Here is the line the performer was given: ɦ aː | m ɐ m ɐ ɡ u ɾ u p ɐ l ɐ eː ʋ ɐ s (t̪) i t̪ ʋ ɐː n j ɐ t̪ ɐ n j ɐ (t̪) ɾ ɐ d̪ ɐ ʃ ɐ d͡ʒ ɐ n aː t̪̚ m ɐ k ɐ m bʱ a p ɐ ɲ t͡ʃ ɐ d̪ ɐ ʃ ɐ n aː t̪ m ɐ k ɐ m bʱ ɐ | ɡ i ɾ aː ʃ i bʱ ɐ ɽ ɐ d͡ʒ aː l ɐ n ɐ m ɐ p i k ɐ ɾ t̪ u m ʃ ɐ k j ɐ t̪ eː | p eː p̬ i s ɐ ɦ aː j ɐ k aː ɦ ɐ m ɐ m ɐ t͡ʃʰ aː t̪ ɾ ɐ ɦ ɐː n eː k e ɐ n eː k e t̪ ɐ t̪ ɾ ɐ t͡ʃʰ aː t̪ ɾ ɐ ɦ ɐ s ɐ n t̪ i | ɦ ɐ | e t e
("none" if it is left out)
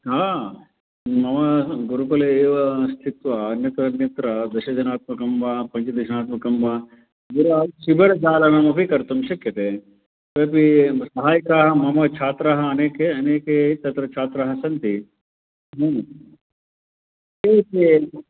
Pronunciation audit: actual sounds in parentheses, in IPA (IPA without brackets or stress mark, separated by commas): t̪ʰ, t̪